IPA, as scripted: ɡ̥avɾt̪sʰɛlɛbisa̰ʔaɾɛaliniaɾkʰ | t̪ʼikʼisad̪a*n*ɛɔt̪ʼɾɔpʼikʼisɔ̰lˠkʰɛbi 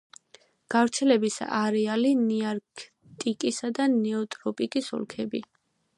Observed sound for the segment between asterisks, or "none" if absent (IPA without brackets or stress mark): n